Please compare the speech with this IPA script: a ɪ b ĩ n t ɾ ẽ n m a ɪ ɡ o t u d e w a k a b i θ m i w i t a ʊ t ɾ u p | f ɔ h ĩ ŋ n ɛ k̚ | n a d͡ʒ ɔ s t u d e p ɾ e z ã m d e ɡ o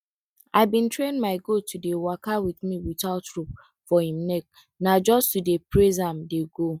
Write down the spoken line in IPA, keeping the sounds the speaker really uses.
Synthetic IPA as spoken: a ɪ b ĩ n t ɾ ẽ n m a ɪ ɡ o t u d e w a k a w i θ m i w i t a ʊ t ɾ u p | f ɔ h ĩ m n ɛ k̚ | n a d͡ʒ ɔ s t u d e p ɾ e z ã m d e ɡ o

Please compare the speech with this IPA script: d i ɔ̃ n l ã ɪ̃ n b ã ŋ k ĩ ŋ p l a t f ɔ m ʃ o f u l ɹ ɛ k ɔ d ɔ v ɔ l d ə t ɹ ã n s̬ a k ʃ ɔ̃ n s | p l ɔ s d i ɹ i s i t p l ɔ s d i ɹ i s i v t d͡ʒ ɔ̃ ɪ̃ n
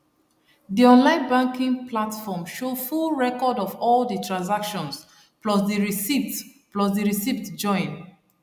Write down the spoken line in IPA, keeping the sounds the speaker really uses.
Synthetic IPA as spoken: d i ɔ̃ n l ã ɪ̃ n b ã ŋ k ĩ ŋ p l a t f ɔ m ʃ o f u l ɹ ɛ k ɔ d ɔ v ɔ l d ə t ɹ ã n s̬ a k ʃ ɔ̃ n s | p l ɔ s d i ɹ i s i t p l ɔ s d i ɹ i s i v t d͡ʒ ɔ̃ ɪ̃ n

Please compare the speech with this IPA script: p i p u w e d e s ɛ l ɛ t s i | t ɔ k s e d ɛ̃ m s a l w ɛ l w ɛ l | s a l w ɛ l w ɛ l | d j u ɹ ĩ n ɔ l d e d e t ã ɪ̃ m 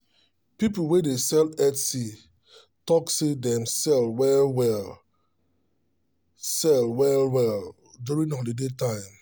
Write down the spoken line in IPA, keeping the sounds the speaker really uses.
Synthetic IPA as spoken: p i p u w e d e s ɛ l ɛ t s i | t ɔ k s e d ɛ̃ m s ɛ l w ɛ l w ɛ l | s ɛ l w ɛ l w ɛ l | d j u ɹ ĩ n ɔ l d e d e t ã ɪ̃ m

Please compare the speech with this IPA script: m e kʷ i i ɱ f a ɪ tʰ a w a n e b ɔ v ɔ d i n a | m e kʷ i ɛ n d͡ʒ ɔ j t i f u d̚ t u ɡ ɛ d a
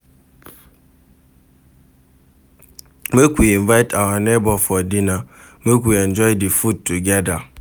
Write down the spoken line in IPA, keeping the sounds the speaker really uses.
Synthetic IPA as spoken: m e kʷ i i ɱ v a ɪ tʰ a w a n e b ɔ f ɔ d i n a | m e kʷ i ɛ n d͡ʒ ɔ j d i f u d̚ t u ɡ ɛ d a

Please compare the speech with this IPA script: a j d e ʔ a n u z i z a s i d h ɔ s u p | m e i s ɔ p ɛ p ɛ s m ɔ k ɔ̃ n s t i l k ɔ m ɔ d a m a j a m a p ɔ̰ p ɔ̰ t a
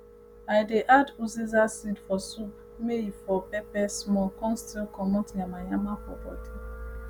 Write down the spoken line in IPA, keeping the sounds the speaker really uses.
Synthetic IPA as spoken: a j d e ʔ a d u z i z a s i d f ɔ s u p | m e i f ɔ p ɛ p ɛ s m ɔ k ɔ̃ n s t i l k ɔ m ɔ t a m a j a m a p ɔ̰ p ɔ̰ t i

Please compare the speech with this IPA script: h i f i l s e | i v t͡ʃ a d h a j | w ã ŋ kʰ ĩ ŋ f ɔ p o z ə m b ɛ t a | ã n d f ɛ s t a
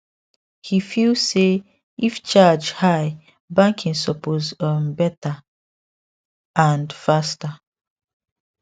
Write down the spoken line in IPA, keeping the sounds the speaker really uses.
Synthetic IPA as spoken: h i f i l s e | i f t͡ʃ a d͡ʒ h a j | b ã ŋ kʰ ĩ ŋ s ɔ p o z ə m b ɛ t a | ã n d f a s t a

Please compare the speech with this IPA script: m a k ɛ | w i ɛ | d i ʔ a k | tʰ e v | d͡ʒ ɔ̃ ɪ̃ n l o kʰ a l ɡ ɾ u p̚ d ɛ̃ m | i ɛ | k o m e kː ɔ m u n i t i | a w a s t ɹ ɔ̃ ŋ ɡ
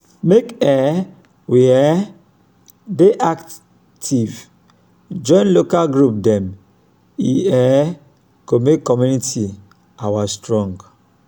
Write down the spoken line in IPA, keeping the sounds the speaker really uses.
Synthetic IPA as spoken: m e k ɛ | w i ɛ | d e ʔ a k | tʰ i v | d͡ʒ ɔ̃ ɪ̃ n l o k a l ɡ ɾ u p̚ d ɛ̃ m | i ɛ | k o m e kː ɔ m u n i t i | a w a s t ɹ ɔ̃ ŋ ɡ

